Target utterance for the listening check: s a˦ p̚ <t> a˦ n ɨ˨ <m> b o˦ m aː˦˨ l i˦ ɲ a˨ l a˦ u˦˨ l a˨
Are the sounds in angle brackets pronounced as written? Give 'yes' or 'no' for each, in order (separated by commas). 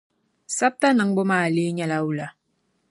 yes, no